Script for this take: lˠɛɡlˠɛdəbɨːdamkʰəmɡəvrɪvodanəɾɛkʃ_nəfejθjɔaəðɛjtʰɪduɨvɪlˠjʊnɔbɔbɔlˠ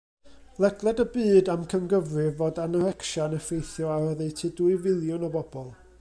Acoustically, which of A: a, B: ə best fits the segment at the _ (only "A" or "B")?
A